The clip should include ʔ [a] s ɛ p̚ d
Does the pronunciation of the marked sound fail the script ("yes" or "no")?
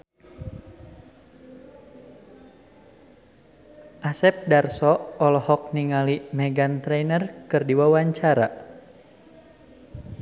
no